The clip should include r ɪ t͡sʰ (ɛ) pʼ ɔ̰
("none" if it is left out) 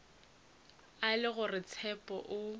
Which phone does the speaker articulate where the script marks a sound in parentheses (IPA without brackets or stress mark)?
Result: ɛ